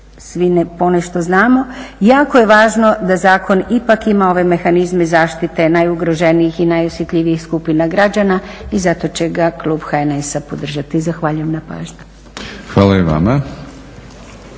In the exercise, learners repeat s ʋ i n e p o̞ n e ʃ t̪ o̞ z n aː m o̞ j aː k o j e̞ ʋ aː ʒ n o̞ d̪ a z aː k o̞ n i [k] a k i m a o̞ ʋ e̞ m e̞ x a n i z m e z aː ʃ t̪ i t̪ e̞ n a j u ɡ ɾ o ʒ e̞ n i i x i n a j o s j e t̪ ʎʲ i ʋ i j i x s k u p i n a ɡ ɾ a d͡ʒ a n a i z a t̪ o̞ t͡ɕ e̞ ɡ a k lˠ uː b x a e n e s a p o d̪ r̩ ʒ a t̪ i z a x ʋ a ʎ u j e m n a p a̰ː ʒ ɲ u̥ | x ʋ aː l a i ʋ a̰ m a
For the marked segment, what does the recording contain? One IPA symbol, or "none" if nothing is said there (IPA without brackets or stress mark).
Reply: p